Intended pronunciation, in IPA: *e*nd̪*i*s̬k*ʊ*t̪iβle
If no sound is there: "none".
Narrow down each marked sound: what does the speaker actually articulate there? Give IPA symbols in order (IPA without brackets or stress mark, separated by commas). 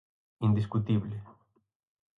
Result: i, i, u